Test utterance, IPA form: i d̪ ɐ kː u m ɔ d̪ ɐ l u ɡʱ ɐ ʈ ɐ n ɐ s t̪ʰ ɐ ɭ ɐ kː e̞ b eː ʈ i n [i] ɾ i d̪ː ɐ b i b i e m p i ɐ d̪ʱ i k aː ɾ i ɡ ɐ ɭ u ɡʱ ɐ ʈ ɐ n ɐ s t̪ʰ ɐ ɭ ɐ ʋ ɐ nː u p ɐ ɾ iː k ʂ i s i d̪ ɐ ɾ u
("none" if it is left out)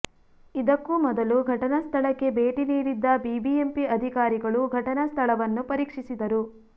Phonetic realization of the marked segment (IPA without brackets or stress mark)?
iː